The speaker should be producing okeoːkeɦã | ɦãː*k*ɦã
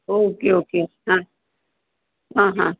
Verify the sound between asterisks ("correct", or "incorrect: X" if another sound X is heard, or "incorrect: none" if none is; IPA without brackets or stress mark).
incorrect: none